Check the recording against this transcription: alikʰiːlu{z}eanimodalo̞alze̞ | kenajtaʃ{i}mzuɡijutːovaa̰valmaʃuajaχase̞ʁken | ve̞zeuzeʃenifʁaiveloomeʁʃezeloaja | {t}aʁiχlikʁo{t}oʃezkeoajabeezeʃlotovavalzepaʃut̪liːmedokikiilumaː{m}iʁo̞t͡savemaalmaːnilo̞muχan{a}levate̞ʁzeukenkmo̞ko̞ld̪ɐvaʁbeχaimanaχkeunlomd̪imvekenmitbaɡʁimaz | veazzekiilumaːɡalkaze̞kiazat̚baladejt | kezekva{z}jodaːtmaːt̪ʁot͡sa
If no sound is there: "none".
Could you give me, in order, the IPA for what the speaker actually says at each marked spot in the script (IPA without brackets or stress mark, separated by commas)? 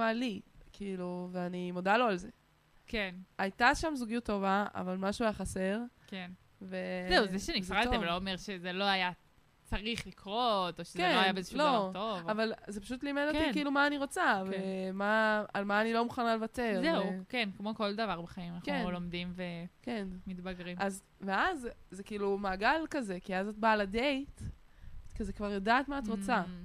v, a, t͡s, t, n, a, ʁ